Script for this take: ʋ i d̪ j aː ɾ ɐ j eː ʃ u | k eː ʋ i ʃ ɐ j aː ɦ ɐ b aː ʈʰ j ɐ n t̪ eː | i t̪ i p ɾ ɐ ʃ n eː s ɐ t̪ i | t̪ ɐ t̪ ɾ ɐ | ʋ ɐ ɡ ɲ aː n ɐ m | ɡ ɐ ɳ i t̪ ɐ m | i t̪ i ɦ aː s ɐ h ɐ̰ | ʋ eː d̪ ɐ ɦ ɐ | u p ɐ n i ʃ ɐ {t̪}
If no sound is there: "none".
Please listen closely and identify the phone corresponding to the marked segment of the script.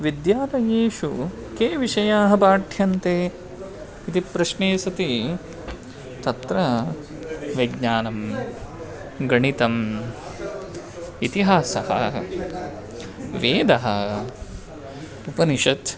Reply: t̪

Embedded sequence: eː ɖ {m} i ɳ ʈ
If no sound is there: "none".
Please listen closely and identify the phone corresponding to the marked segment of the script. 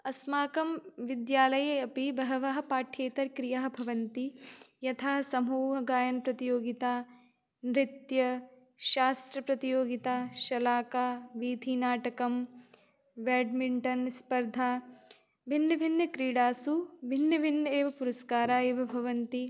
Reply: m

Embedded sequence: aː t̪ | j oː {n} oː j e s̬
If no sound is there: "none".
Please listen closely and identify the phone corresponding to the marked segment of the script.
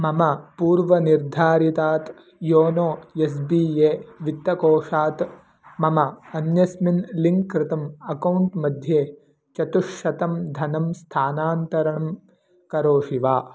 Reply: n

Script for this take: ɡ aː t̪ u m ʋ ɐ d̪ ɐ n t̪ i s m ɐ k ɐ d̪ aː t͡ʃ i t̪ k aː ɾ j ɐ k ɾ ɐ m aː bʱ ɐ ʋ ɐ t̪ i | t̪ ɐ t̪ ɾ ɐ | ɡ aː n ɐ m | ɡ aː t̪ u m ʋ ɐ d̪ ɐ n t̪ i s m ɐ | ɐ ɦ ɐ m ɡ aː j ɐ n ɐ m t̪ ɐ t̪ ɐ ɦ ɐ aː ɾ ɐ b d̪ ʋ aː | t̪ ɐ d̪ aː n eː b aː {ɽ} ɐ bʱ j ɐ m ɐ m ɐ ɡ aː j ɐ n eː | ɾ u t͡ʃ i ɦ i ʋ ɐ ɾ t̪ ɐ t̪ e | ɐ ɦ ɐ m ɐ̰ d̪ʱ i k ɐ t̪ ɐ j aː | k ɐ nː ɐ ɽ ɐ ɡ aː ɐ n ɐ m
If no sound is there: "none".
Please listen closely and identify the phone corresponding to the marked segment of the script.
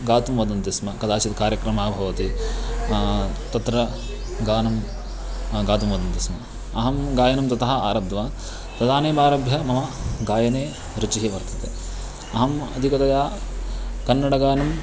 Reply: ɾ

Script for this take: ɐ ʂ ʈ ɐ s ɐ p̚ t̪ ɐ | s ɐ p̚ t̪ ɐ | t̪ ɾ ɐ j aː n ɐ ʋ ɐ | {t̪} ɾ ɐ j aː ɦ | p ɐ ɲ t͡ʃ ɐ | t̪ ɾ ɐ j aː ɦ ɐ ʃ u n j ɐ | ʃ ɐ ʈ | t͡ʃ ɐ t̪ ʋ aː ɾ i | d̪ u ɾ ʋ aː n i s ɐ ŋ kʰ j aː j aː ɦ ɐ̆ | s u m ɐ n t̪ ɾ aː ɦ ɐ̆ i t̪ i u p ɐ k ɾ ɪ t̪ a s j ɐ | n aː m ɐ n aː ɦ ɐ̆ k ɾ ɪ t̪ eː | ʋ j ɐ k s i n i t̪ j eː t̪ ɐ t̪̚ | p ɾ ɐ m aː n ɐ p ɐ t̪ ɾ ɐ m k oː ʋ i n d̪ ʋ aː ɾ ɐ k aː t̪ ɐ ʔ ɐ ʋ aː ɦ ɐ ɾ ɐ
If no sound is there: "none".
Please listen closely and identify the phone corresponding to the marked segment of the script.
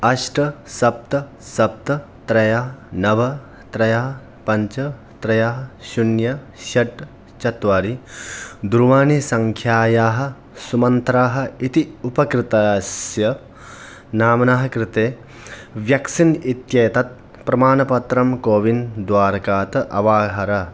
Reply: t̪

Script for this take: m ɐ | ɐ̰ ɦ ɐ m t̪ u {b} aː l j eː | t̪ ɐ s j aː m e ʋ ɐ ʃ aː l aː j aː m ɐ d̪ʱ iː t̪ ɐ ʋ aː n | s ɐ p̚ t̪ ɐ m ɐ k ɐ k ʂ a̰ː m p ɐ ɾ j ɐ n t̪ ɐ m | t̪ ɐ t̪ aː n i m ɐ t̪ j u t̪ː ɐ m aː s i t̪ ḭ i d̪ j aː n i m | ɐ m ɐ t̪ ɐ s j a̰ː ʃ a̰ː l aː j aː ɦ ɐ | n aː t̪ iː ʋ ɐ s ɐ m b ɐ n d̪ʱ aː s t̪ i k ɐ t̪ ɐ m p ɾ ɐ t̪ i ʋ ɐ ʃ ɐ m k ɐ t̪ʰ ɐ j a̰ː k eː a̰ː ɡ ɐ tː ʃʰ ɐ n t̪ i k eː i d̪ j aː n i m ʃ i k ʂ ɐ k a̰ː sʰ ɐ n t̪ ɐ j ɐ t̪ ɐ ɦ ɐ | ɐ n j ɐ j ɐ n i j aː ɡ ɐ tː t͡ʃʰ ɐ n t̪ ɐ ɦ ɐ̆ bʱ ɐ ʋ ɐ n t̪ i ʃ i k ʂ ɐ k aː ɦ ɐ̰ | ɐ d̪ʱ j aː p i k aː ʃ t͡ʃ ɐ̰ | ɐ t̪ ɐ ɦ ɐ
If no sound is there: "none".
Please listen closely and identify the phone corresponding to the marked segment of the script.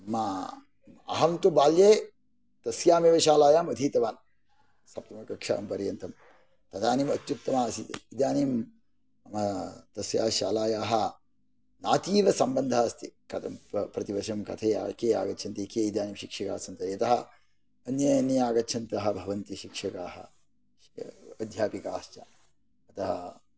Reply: b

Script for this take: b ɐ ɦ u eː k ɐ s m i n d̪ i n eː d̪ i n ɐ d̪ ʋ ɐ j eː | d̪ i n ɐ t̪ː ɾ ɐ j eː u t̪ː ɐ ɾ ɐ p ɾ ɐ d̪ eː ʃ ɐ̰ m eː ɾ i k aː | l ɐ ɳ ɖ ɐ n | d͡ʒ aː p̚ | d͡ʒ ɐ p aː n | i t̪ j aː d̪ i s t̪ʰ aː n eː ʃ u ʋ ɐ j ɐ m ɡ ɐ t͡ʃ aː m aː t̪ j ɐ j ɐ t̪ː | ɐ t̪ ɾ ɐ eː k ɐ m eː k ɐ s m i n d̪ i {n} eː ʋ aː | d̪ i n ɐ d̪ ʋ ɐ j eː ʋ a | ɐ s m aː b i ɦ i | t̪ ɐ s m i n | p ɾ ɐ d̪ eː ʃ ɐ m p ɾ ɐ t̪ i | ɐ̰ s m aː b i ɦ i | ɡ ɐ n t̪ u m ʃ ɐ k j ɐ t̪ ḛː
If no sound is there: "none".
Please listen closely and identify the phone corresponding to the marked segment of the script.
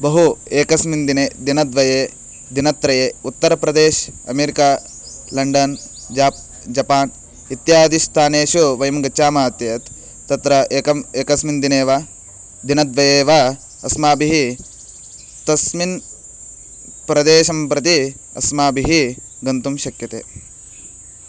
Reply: n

